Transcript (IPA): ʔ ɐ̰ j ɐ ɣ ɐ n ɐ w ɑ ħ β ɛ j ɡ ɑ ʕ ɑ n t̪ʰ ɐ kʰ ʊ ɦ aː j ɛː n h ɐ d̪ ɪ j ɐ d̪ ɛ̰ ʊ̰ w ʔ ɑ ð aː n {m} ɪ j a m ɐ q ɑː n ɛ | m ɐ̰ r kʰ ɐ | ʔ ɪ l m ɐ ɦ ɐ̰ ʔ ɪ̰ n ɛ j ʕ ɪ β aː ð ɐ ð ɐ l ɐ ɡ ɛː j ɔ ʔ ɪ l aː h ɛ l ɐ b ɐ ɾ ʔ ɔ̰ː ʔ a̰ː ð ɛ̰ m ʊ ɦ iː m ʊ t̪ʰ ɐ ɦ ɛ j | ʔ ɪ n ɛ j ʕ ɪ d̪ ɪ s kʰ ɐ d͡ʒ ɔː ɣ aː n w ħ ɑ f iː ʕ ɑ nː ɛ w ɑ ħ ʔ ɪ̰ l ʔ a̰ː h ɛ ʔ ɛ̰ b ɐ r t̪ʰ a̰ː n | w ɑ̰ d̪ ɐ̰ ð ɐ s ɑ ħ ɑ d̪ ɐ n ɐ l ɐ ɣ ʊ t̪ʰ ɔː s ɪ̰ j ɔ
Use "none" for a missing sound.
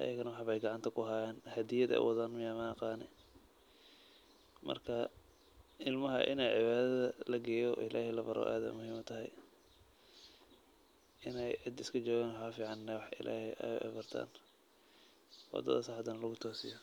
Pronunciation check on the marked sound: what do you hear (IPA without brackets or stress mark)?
m